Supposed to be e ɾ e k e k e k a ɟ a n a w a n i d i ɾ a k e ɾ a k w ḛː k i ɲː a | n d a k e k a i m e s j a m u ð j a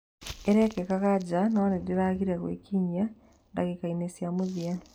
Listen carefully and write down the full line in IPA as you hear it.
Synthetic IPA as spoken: e ɾ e k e k a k a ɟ a n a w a n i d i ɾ a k i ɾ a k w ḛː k i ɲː a | n d a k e k a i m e s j a m u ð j a